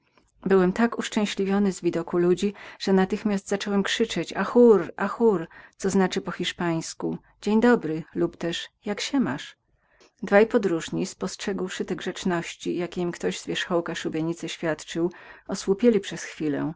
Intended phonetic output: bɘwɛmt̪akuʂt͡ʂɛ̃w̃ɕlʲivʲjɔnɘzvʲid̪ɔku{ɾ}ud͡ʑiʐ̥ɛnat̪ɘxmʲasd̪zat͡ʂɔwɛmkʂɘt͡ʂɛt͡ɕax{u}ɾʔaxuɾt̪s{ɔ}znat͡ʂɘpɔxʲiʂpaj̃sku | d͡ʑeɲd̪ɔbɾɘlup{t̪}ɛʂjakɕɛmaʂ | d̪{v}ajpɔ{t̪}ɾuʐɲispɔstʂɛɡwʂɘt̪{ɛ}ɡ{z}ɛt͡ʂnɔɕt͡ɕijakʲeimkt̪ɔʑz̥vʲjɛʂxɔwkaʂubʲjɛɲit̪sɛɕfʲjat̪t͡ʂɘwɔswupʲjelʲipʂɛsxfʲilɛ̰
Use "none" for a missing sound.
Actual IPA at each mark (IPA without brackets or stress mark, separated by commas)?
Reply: l, u, ɔ, t̪, v, d̪, ɛ, ʐ